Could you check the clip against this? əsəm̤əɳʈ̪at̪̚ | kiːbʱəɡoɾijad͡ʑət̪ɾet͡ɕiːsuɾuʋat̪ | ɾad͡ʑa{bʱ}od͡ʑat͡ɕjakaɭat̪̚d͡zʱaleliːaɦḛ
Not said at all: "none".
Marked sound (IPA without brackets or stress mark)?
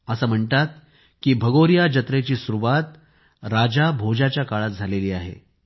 bʱ